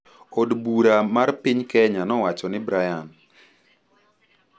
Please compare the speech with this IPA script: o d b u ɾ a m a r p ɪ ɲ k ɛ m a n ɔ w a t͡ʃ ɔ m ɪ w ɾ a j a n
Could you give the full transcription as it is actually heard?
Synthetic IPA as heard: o d b u ɾ a m a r p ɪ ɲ k ɛ ɲ a n ɔ w a t͡ʃ ɔ n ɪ b ɾ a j a n